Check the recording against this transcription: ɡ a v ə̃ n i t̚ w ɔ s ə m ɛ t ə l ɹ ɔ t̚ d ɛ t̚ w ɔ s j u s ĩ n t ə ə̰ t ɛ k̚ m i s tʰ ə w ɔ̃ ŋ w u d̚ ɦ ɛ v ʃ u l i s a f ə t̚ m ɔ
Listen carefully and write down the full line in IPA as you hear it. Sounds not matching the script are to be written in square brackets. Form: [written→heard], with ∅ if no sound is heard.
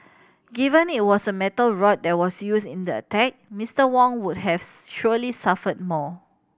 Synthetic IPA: ɡ [a→i] v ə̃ n i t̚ w ɔ s ə m ɛ t ə l ɹ ɔ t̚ d ɛ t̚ w ɔ s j u s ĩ n [t→d] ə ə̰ t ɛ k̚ m i s [tʰ→t] ə w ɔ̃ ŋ w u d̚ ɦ ɛ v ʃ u l i s a f ə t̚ m ɔ